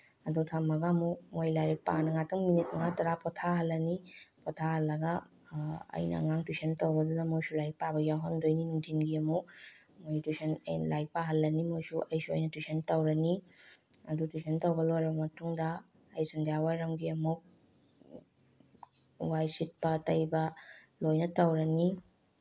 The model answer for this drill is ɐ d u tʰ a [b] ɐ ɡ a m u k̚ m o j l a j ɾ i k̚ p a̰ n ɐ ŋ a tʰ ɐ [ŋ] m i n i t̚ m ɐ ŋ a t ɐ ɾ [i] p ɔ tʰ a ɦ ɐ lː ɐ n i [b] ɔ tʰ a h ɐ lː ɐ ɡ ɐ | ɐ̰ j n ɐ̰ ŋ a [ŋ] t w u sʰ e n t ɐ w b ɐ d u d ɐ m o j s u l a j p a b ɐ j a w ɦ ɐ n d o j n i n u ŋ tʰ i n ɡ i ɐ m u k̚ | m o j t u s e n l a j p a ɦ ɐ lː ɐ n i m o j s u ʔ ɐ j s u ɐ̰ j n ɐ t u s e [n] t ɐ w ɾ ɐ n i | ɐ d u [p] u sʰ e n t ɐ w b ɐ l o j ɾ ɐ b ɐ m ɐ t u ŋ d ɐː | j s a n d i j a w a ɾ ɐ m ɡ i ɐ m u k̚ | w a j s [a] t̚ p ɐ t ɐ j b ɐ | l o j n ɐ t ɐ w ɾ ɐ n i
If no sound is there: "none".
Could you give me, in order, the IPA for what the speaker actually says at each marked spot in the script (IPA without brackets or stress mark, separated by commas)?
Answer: m, ŋ, a, p, ŋ, n, t, i